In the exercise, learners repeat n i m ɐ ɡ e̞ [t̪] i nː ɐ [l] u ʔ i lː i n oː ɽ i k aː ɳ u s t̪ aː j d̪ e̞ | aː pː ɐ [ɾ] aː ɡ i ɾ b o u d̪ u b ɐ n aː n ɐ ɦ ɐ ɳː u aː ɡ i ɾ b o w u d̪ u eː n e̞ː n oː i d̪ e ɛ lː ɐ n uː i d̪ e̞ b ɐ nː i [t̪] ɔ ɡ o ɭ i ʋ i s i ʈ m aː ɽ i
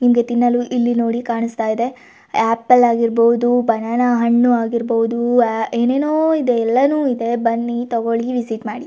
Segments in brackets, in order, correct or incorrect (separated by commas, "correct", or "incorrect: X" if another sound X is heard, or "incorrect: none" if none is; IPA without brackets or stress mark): correct, correct, incorrect: l, correct